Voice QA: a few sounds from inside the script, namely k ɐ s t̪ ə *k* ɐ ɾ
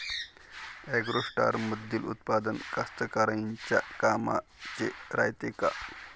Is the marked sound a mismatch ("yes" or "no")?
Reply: no